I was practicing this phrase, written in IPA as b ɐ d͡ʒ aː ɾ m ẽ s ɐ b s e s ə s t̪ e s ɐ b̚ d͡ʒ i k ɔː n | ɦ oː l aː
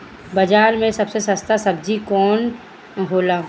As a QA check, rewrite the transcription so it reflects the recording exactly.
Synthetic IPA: b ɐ d͡ʒ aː ɾ m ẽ s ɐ b s e s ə s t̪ a s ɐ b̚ d͡ʒ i k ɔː n | ɦ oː l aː